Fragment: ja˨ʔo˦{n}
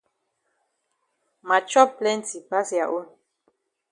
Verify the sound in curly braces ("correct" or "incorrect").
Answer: correct